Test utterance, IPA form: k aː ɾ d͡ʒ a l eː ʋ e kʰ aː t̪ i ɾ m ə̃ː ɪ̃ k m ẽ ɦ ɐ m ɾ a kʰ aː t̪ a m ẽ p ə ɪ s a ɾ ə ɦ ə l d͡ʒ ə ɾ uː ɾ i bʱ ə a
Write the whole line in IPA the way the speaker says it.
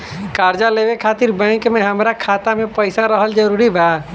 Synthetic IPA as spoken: k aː ɾ d͡ʒ a l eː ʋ e kʰ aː t̪ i ɾ b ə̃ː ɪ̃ k m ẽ ɦ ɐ m ɾ a kʰ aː t̪ a m ẽ p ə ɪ s a ɾ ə ɦ ə l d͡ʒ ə ɾ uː ɾ i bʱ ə a